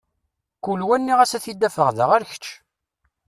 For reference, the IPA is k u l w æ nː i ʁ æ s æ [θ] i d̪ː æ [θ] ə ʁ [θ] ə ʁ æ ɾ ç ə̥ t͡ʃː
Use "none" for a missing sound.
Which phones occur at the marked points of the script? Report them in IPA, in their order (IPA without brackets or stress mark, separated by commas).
θ, f, ð